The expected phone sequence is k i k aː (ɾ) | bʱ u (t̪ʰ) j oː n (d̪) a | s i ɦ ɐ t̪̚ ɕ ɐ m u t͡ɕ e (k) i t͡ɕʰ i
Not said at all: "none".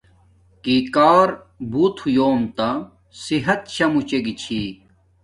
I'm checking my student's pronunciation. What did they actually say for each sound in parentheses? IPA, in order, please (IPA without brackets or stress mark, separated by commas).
ɾ, t̪ʰ, t̪, ɡ